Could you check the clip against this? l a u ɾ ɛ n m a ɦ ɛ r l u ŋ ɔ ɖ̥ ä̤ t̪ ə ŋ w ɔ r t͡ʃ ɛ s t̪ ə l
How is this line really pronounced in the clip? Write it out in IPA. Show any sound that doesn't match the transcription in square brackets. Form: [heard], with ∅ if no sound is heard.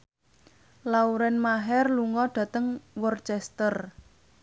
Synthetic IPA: l a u ɾ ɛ n m a ɦ ɛ r l u ŋ ɔ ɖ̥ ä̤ t̪ ə ŋ w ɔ r t͡ʃ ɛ s t̪ ə [r]